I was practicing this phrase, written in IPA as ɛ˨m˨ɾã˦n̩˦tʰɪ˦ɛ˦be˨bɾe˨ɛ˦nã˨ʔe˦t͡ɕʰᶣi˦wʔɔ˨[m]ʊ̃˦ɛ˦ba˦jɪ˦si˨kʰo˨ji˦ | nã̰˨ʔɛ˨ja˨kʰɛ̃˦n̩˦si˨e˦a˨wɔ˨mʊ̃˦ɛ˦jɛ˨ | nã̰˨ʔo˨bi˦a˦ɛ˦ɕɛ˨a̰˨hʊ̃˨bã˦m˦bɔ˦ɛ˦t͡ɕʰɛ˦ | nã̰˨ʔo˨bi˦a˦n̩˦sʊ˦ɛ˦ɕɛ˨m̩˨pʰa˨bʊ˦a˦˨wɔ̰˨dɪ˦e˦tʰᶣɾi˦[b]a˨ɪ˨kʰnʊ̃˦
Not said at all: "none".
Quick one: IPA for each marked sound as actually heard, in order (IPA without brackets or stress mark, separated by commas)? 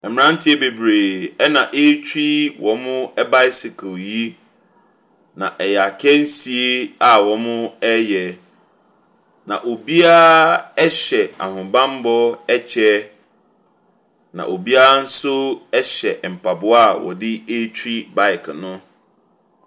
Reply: m, b